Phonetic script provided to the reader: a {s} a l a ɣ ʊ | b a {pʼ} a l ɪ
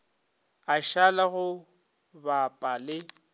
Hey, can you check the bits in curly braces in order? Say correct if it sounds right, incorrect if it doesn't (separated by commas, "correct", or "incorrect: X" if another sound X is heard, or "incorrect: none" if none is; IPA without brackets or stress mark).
incorrect: ʃ, correct